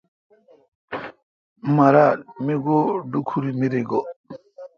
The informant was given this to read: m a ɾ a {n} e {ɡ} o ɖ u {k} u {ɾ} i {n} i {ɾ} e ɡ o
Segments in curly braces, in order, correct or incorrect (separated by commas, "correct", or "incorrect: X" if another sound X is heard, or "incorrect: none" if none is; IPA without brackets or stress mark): incorrect: m, correct, incorrect: kʰ, correct, incorrect: m, correct